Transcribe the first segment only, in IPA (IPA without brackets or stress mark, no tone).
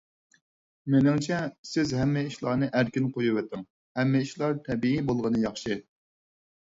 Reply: m